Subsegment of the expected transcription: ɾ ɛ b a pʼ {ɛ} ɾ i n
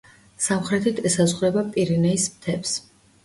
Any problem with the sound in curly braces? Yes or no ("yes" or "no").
yes